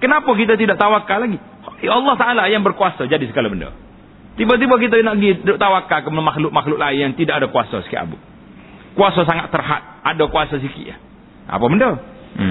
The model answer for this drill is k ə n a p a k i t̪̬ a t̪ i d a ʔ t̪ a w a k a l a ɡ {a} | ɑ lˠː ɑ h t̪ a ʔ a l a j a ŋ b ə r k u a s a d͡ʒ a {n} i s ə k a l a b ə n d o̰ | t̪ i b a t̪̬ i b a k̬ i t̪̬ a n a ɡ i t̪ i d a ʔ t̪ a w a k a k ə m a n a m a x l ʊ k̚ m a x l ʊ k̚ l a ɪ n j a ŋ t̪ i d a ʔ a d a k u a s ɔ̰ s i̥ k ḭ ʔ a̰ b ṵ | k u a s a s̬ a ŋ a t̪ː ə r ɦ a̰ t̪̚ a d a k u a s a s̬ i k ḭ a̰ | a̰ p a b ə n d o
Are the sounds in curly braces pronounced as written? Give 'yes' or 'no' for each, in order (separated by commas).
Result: no, no